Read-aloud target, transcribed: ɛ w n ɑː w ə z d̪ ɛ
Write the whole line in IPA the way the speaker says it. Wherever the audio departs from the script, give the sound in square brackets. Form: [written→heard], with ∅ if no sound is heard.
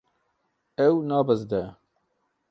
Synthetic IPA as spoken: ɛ w n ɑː [w→b] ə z d̪ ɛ